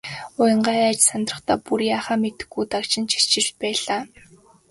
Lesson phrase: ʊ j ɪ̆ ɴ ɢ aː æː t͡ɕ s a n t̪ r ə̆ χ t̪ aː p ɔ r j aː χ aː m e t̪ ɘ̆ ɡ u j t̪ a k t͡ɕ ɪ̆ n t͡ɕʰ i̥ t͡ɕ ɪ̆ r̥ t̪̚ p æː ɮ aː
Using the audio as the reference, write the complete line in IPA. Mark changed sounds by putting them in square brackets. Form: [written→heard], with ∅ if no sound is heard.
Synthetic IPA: ʊ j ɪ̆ ɴ ɢ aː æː t͡ɕ s a n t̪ r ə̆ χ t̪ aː p [ɔ→u] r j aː χ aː m e t̪ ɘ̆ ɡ u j t̪ a k t͡ɕ ɪ̆ n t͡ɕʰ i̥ t͡ɕ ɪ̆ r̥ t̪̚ p æː ɮ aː